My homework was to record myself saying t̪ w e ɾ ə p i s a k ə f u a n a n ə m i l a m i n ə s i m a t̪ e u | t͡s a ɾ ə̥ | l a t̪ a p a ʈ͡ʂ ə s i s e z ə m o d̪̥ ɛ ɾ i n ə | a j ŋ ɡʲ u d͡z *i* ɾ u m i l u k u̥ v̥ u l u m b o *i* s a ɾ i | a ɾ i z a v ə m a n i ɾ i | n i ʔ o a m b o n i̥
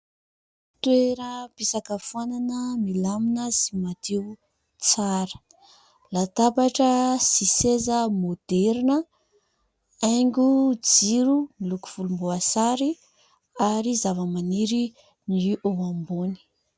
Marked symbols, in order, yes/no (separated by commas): yes, no